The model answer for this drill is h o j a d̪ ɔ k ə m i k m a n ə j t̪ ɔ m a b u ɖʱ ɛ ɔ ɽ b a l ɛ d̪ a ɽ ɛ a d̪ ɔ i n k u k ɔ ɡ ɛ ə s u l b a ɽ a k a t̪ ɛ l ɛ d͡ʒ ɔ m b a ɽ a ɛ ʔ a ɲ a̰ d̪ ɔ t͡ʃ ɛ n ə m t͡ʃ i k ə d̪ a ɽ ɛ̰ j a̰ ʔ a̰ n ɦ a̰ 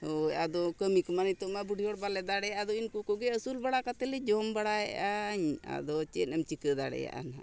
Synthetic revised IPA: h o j a d̪ ɔ k ə m i k m a n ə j t̪ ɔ m a b u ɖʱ i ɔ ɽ b a l ɛ d̪ a ɽ ɛ a d̪ ɔ i n k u k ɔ ɡ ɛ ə s u l b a ɽ a k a t̪ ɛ l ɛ d͡ʒ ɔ m b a ɽ a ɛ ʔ a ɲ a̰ d̪ ɔ t͡ʃ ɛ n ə m t͡ʃ i k ə d̪ a ɽ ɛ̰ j a̰ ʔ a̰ n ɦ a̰